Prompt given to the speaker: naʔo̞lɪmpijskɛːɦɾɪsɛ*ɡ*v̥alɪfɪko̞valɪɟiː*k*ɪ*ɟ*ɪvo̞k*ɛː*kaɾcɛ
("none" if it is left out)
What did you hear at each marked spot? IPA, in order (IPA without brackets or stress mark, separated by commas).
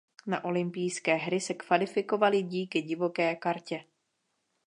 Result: k, k, ɟ, ɛː